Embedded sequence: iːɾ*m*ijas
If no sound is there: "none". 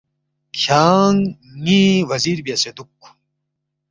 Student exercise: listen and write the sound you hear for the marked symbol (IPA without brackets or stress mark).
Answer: b